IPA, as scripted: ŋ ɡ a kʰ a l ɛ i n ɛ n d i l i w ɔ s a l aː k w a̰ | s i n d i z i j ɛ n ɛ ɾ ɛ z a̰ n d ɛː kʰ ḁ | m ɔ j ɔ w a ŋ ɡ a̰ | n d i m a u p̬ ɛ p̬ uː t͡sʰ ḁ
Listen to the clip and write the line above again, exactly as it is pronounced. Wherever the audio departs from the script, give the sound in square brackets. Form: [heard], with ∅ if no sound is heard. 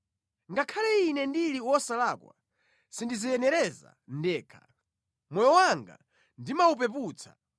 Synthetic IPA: ŋ ɡ a kʰ a l ɛ i n ɛ n d i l i w ɔ s a l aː k w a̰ | s i n d i z i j ɛ n ɛ ɾ ɛ z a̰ n d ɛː kʰ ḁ | m ɔ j ɔ w a ŋ ɡ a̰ | n d i m a u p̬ ɛ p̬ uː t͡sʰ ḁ